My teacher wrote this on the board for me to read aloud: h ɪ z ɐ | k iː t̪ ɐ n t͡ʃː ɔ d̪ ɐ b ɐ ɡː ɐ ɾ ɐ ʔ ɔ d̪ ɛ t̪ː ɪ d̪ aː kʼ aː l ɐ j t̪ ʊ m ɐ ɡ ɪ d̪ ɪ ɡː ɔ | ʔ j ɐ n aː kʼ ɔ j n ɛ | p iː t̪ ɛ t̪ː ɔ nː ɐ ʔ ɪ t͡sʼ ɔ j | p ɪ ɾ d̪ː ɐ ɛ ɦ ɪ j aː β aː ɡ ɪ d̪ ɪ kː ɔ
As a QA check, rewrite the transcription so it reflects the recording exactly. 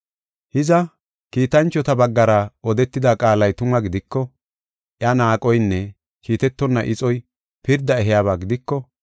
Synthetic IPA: h ɪ z ɐ | k iː t̪ ɐ n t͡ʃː ɔ t̪ ɐ b ɐ ɡː ɐ ɾ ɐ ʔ ɔ d̪ ɛ t̪ː ɪ d̪ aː kʼ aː l ɐ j t̪ ʊ m ɐ ɡ ɪ d̪ ɪ kː ɔ | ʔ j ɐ n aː kʼ ɔ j nː ɛ | k iː t̪ ɛ t̪ː ɔ nː ɐ ʔ ɪ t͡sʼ ɔ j | p ɪ ɾ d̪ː ɐ ɛ ɦ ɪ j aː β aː ɡ ɪ d̪ ɪ kː ɔ